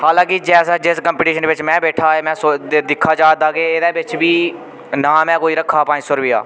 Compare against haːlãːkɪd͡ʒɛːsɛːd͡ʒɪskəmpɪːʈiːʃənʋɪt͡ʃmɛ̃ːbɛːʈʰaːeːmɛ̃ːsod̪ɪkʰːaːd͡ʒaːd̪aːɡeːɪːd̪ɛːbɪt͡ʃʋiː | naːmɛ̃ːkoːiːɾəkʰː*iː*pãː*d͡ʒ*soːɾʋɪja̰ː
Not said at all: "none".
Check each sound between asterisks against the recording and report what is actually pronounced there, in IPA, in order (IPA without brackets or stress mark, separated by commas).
aː, d͡ʒ